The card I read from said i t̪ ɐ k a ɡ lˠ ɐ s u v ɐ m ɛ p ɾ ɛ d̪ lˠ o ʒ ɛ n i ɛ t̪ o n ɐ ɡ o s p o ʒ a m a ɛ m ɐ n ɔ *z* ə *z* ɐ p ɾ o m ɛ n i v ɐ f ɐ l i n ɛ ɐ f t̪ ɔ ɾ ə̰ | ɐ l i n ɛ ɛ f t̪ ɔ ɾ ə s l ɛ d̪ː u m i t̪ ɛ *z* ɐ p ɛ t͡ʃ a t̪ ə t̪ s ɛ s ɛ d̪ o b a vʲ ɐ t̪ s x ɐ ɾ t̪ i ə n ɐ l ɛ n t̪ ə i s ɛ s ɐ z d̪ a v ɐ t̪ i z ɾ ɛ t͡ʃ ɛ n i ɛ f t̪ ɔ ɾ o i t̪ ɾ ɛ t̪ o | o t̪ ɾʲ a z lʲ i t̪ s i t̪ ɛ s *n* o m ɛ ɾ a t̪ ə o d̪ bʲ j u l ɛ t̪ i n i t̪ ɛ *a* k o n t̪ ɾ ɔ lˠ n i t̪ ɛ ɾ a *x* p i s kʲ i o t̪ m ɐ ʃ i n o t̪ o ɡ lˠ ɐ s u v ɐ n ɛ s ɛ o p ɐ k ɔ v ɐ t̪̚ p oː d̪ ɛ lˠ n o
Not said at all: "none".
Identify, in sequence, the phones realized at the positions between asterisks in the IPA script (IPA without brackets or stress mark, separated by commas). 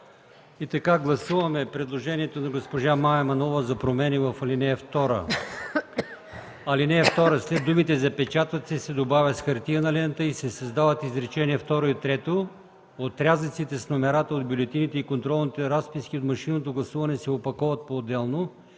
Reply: v, z, z, n, i, s